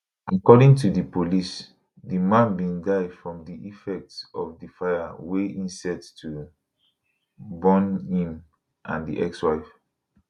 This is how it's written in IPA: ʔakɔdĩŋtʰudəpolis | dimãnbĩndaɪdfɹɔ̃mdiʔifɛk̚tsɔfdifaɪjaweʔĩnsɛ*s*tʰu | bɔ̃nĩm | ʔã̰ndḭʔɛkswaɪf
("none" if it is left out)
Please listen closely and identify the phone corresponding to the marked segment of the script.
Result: t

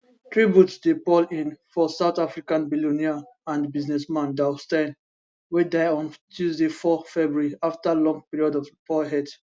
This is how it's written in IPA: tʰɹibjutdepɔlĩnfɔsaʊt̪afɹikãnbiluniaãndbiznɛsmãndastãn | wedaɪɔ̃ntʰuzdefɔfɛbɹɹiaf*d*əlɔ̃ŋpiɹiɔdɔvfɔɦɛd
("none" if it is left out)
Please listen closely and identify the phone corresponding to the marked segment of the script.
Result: t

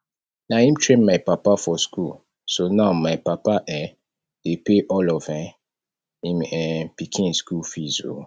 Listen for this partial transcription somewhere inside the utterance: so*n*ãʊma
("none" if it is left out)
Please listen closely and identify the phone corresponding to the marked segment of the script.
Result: n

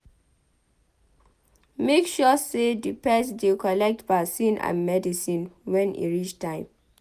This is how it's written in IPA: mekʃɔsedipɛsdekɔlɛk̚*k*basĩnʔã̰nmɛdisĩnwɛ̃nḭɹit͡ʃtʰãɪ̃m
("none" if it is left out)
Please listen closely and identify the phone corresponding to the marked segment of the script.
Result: t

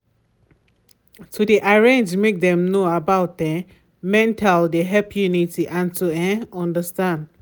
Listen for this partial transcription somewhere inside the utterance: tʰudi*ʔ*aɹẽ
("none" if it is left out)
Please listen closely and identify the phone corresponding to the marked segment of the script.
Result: ʔ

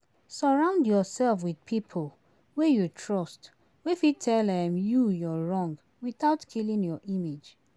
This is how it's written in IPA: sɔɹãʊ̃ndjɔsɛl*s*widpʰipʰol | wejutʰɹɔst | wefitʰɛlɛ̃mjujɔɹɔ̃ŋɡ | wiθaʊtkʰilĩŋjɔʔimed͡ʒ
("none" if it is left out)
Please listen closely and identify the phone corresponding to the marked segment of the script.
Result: f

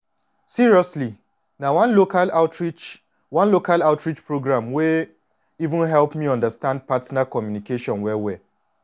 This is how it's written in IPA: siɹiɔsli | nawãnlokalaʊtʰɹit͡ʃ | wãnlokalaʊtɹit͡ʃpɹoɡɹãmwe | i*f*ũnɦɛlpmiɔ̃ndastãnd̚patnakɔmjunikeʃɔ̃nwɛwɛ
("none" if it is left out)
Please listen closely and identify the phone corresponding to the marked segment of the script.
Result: v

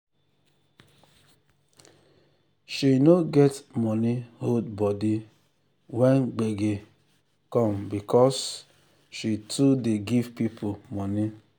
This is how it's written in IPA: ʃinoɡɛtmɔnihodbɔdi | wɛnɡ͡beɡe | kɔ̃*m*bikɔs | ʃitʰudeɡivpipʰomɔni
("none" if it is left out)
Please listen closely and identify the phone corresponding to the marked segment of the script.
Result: m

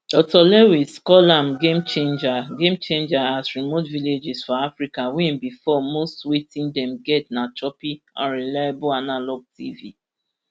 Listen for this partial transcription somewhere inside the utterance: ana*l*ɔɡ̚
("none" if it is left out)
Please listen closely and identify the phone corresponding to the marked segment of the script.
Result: l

